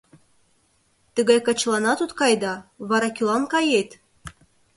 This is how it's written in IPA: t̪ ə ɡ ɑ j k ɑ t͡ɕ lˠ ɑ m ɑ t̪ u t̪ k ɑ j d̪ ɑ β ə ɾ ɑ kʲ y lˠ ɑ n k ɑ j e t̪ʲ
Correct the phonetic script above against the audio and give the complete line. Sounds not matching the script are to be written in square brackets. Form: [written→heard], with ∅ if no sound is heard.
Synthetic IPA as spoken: t̪ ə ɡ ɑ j k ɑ t͡ɕ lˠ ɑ [m→n] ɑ t̪ u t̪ k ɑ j d̪ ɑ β [ə→ɑ] ɾ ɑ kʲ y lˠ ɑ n k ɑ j e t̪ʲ